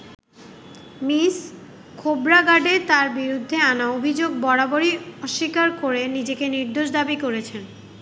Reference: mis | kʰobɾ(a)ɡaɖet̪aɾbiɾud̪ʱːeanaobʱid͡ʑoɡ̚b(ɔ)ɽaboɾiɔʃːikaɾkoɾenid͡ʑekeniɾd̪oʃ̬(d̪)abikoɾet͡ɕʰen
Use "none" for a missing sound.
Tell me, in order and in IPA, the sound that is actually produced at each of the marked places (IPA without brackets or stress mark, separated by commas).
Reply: a, ɔ, d̪